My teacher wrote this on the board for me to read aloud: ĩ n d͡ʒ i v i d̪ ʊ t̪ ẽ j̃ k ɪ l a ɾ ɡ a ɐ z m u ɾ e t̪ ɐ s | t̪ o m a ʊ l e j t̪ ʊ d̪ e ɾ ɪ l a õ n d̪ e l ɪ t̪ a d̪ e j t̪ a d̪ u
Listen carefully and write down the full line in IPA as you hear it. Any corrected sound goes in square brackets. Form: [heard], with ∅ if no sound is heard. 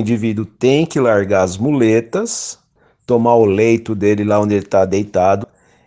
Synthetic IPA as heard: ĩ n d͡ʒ i v i d̪ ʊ t̪ ẽ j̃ k ɪ l a ɾ ɡ a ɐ z m u [l] e t̪ ɐ s | t̪ o m a ʊ l e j t̪ ʊ d̪ e [l] ɪ l a õ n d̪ e l ɪ t̪ a d̪ e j t̪ a d̪ [ʊ]